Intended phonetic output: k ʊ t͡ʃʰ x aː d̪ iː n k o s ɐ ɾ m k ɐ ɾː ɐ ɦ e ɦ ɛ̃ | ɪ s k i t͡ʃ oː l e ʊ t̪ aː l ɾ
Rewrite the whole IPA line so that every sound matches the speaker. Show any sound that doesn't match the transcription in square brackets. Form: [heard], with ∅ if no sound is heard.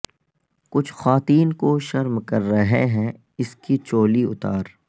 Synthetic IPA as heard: k ʊ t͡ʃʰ x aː [t̪] iː n k o [ʃ] ɐ ɾ m k ɐ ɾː ɐ ɦ e ɦ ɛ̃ | ɪ s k i t͡ʃ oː l [i] ʊ t̪ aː [∅] ɾ